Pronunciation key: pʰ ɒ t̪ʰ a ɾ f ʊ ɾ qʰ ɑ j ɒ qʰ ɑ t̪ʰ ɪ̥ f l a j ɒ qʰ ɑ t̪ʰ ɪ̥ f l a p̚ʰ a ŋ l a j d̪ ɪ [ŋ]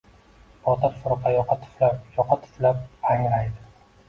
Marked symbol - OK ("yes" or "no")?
no